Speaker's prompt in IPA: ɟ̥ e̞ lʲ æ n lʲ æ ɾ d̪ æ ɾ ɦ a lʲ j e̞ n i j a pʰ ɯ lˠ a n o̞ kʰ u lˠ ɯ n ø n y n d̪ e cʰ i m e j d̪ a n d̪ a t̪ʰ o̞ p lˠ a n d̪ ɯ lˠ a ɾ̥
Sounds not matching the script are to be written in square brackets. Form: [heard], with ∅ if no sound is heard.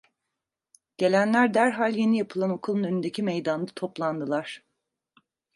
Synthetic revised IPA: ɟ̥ e̞ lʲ æ n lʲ æ ɾ d̪ æ ɾ ɦ a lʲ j e̞ n i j a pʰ ɯ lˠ a n o̞ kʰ u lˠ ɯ n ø n y n d̪ e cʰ i m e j d̪ a n d̪ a t̪ʰ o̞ p lˠ a n d̪ ɯ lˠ a ɾ̥

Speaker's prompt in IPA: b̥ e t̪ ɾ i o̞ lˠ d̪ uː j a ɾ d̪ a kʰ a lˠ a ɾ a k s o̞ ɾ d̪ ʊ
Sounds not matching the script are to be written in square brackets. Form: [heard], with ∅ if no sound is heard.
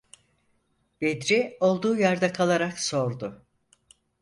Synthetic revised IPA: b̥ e [d̪] ɾ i o̞ lˠ d̪ uː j a ɾ d̪ a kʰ a lˠ a ɾ a k s o̞ ɾ d̪ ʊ

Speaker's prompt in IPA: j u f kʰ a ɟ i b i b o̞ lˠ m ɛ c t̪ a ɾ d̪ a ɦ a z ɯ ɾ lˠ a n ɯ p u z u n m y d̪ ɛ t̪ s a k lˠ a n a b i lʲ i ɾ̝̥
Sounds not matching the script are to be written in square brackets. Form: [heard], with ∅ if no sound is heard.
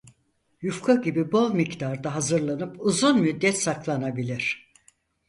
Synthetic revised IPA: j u f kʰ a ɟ i b i b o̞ lˠ m [i] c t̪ a ɾ d̪ a ɦ a z ɯ ɾ lˠ a n ɯ p u z u n m y [d̪ː] ɛ t̪ s a k lˠ a n a b i lʲ i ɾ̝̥

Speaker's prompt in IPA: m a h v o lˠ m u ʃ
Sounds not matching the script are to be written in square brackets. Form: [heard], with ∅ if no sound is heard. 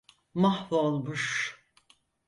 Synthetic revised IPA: m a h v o lˠ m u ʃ

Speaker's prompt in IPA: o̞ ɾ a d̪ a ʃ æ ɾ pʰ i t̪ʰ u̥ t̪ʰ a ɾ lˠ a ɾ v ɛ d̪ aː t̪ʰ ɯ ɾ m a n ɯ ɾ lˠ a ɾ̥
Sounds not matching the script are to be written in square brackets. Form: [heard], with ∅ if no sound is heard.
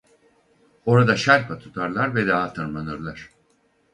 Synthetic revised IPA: o̞ ɾ a d̪ a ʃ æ ɾ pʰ [a] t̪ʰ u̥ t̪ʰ a ɾ lˠ a ɾ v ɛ d̪ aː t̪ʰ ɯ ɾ m a n ɯ ɾ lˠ a ɾ̥

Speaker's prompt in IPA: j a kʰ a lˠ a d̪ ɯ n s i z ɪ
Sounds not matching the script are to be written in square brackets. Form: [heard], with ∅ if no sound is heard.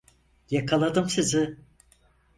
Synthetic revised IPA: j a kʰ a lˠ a d̪ ɯ [m] s i z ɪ

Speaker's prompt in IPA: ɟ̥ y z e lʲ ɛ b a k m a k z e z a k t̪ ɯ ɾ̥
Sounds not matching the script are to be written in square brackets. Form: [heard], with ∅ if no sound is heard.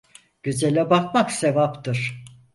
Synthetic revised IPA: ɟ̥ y z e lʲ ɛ b a k m a k [s] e [v] a [p] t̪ ɯ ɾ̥

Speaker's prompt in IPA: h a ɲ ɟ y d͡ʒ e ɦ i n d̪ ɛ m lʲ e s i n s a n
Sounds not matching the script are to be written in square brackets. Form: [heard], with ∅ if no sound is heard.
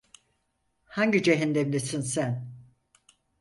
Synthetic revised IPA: h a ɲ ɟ [i] d͡ʒ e ɦ i n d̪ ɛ m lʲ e s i n s [æ] n

